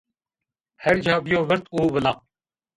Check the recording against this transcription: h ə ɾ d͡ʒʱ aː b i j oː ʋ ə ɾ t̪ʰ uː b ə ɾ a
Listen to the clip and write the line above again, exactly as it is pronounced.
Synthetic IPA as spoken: h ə ɾ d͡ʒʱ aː b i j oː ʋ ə ɾ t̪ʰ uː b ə l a